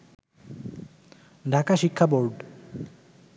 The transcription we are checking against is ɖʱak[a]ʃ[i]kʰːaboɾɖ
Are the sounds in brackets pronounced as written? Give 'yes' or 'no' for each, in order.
yes, yes

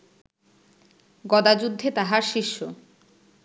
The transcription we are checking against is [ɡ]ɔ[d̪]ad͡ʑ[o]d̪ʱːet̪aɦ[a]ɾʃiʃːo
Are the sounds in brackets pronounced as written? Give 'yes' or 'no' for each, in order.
yes, yes, no, yes

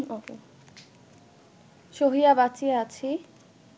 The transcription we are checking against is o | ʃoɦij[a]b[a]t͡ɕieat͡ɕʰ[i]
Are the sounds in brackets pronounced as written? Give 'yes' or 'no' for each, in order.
yes, yes, yes

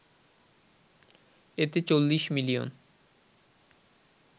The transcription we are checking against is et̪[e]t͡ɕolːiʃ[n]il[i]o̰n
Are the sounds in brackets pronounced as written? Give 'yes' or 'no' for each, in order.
yes, no, yes

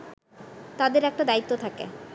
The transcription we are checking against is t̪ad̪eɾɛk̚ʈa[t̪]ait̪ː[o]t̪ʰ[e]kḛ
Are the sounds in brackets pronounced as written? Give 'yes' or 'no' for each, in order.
no, yes, no

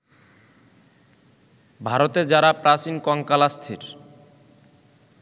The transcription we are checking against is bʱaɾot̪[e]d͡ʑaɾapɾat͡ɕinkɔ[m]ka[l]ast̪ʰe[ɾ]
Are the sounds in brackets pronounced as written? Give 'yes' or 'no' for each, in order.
yes, no, yes, yes

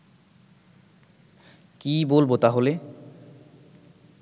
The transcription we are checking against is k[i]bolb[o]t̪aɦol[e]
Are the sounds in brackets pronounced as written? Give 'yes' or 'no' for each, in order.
yes, yes, yes

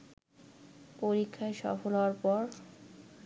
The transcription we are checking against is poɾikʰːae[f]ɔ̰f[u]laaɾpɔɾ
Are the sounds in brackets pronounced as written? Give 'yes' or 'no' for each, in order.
no, no

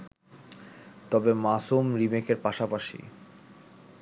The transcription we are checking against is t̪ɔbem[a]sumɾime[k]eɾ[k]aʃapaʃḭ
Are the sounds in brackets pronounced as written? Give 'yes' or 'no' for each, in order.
yes, yes, no

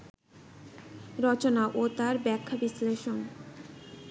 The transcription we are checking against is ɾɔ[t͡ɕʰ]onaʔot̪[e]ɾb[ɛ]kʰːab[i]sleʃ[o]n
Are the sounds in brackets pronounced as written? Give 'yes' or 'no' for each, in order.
no, no, yes, yes, yes

